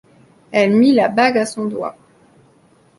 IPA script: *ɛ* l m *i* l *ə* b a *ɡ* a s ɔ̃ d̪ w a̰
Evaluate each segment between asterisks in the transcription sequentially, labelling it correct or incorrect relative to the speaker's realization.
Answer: correct, correct, incorrect: a, correct

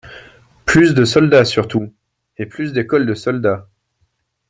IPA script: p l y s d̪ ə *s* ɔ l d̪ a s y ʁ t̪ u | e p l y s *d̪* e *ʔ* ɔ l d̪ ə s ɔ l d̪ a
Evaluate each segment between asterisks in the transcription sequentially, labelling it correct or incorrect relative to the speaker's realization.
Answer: correct, correct, incorrect: k

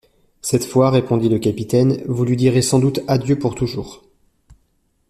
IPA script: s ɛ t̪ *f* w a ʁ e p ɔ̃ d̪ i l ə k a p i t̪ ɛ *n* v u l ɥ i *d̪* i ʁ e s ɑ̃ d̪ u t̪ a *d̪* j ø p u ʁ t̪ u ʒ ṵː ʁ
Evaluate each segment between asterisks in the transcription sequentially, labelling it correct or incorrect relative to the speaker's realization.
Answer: correct, correct, correct, correct

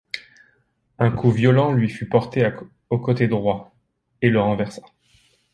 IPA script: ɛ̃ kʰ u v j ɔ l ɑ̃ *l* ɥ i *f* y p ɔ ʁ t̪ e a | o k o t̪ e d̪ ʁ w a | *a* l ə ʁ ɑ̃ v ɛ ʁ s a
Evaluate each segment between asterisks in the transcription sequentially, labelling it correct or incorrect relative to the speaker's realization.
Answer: correct, correct, incorrect: e

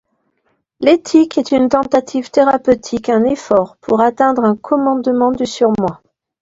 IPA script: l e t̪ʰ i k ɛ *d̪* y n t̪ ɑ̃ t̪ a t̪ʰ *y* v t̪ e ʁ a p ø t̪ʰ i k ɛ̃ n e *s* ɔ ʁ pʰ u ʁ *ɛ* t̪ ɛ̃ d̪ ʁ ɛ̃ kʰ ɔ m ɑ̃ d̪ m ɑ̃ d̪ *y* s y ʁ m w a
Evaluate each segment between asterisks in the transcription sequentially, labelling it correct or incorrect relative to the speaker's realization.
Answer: incorrect: t̪, incorrect: i, incorrect: f, incorrect: a, correct

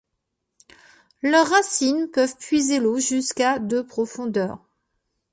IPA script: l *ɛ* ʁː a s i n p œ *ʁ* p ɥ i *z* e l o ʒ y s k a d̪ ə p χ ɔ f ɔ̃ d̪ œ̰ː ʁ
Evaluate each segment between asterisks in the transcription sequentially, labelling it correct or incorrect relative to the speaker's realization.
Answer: incorrect: œ, incorrect: v, correct

